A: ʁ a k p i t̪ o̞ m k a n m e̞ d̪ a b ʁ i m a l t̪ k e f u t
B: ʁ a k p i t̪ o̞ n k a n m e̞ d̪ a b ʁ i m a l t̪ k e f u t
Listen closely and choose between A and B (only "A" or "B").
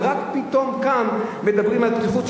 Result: A